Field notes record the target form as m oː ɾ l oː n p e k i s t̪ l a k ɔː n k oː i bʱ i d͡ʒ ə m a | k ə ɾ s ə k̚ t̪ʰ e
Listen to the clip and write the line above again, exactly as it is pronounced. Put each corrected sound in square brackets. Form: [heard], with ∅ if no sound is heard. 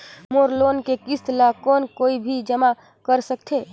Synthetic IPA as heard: m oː ɾ l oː n [k] e k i s t̪ l a k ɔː n k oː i bʱ i d͡ʒ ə m a | k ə ɾ s ə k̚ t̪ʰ e